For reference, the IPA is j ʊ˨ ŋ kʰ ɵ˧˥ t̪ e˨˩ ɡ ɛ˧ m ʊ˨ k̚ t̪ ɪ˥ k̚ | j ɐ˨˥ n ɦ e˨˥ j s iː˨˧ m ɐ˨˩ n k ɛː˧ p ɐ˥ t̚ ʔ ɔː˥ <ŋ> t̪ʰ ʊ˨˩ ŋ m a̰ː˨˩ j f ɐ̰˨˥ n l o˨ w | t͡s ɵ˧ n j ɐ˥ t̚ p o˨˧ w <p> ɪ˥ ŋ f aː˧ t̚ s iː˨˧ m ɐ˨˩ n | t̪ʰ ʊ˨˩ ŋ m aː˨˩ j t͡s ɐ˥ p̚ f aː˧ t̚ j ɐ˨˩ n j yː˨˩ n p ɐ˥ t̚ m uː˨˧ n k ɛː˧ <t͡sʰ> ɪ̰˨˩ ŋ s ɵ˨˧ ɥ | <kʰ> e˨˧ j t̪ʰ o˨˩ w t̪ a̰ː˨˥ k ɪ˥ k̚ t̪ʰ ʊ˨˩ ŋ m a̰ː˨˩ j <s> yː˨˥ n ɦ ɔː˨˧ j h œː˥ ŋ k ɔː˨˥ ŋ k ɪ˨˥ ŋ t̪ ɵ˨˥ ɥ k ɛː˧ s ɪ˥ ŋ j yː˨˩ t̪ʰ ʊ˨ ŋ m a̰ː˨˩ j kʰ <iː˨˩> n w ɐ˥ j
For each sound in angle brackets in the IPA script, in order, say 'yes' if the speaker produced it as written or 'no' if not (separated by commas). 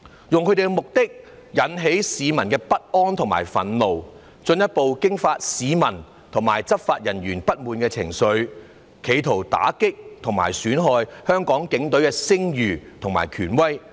no, no, yes, yes, yes, no